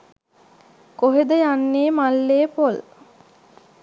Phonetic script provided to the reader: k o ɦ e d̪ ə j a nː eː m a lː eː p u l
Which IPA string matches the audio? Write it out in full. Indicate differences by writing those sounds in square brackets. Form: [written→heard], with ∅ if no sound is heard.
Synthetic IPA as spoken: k o ɦ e d̪ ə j a nː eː m a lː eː p [u→o] l